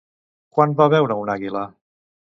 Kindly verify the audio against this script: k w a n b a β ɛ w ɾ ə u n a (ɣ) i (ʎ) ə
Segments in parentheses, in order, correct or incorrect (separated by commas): correct, incorrect